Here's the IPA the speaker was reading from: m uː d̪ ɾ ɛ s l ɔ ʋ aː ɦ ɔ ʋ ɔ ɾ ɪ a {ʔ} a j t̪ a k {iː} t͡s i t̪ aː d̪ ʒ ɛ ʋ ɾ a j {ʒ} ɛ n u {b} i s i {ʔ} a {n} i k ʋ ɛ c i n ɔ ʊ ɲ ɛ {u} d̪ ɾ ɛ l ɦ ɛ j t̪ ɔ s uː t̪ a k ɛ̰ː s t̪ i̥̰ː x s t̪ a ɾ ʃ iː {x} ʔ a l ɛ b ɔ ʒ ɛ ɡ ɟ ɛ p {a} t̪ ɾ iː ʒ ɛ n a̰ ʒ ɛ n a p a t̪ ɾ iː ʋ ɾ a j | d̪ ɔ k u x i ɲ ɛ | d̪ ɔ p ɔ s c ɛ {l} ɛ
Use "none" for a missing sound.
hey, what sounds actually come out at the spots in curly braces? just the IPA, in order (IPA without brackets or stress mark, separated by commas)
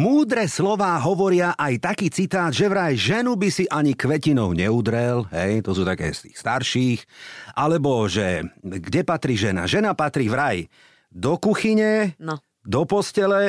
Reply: ʔ, iː, ʒ, b, ʔ, ɲ, u, x, a, l